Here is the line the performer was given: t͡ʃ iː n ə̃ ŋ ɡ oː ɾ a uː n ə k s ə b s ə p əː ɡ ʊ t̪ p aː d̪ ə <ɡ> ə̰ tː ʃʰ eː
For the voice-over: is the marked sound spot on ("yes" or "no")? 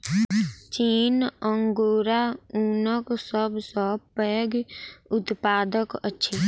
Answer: no